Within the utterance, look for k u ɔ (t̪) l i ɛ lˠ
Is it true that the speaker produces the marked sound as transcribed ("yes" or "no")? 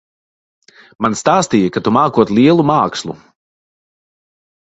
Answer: yes